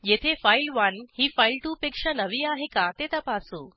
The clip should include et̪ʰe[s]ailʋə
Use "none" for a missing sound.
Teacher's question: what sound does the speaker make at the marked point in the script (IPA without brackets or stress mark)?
f